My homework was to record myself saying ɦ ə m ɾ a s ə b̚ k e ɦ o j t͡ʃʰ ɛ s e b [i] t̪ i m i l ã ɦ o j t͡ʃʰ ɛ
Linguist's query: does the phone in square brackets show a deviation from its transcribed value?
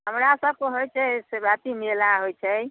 yes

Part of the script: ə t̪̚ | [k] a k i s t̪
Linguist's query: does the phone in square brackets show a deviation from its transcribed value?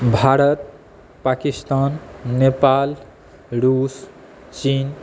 yes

